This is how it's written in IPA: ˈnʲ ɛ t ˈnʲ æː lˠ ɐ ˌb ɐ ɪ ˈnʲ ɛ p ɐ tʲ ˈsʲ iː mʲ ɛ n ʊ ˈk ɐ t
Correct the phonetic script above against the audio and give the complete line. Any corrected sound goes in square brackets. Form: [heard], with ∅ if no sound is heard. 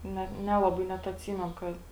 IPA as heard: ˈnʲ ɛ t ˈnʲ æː lˠ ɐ ˌb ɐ ɪ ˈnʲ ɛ [t] ɐ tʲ ˈsʲ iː mʲ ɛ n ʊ ˈk ɐ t